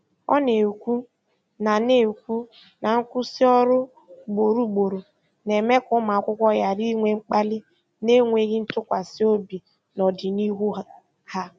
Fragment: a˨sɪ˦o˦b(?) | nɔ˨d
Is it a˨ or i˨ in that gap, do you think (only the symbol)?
i˨